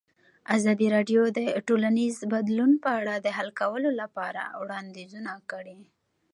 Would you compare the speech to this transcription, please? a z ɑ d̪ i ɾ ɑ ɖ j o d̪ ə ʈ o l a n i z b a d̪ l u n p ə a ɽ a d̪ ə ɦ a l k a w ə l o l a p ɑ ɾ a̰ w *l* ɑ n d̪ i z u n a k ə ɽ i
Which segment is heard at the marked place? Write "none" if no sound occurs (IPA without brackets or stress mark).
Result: ɽ